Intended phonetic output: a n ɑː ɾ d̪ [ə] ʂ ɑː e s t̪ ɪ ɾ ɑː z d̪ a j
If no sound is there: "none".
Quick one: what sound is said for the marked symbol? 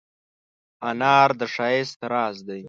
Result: ə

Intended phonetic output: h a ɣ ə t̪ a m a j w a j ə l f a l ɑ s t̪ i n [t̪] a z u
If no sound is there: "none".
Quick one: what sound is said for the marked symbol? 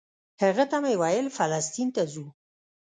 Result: t̪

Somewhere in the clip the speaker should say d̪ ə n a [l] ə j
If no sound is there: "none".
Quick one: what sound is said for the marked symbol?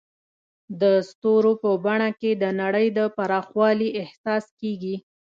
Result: ɽ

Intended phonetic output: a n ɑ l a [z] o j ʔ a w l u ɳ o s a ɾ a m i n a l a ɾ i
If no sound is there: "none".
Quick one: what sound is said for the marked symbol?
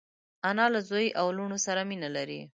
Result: z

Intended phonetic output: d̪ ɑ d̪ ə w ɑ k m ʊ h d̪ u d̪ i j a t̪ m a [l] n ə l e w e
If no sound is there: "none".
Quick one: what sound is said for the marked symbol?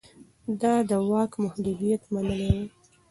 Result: none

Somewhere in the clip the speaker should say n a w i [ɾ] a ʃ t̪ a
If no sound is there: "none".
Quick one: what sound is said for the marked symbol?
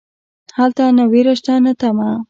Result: ɾ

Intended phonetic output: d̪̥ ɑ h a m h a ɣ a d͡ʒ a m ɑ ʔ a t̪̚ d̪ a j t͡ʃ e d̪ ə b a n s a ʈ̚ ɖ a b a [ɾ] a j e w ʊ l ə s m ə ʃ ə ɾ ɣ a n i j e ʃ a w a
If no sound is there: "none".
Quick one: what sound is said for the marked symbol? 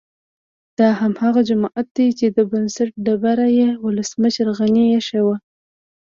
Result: ɾ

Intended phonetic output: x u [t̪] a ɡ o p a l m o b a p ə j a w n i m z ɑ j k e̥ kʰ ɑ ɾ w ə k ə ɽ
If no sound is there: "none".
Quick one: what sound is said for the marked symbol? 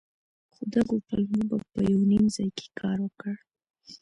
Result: d̪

